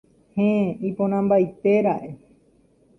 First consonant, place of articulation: glottal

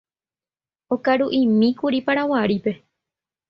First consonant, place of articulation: velar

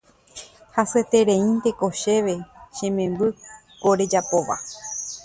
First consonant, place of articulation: glottal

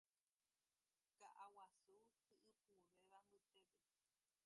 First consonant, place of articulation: velar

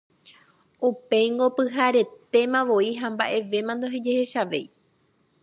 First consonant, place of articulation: labial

